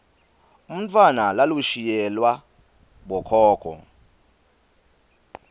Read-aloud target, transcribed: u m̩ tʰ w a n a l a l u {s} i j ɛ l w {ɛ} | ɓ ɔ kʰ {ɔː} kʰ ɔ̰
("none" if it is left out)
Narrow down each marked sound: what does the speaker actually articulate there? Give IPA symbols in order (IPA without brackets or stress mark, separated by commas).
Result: ʃ, a, ɔː